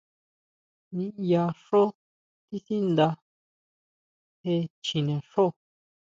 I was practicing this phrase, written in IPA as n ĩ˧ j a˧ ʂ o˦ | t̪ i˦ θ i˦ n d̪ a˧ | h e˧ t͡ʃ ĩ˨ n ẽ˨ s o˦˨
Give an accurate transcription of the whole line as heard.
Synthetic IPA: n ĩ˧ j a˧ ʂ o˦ | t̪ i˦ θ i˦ n d̪ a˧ | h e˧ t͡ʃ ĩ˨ n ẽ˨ ʂ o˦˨